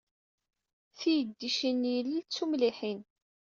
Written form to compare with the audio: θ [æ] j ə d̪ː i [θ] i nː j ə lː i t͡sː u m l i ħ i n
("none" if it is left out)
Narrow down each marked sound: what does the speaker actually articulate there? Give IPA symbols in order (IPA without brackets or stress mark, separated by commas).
i, ʃ